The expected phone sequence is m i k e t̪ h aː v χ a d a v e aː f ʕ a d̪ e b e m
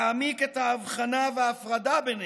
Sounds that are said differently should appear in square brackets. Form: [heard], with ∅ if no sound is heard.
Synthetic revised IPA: m i k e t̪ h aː v χ a [n] a v e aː f [ʁ] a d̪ [a] b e [n]